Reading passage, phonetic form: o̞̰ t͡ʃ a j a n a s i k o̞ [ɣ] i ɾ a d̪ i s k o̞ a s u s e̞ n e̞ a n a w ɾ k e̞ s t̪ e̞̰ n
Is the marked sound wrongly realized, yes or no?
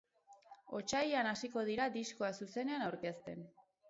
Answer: yes